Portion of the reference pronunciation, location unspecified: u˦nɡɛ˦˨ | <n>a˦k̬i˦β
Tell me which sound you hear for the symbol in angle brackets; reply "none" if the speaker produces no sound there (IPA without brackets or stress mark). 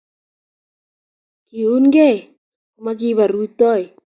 m